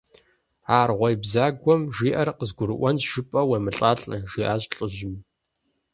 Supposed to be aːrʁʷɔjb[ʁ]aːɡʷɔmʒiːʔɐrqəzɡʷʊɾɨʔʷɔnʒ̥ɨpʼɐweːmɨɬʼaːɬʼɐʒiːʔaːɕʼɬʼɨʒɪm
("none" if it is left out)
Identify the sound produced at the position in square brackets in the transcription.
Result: z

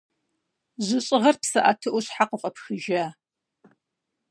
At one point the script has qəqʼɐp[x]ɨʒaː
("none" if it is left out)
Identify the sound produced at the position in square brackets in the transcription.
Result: x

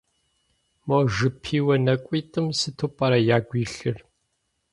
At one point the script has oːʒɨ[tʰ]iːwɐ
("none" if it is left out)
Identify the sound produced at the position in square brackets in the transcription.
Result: pʰ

